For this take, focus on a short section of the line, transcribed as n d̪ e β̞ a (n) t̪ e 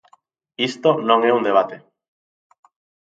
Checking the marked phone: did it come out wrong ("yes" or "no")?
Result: yes